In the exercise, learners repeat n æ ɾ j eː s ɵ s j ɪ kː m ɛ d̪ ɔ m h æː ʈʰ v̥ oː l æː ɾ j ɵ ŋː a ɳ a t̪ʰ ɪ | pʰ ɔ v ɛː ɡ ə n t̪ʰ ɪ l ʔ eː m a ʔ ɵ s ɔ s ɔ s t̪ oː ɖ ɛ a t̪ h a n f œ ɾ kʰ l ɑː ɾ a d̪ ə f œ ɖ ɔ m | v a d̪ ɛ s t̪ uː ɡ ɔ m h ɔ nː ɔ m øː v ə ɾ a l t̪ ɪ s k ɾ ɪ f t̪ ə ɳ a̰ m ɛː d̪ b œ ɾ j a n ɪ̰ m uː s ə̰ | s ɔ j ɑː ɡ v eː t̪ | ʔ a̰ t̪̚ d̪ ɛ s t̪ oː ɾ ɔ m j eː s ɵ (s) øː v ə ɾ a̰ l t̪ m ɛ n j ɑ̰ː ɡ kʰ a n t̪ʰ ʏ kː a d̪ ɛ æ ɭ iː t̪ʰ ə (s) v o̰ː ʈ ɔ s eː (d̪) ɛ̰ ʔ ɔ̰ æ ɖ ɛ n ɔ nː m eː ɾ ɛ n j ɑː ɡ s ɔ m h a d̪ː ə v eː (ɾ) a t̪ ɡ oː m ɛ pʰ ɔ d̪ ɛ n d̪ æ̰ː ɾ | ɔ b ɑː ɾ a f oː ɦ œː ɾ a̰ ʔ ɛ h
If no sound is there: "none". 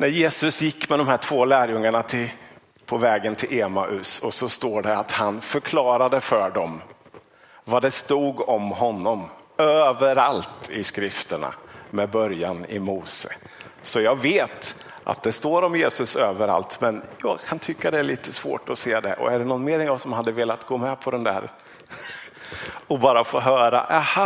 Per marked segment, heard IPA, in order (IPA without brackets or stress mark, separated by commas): s, s, d̪, l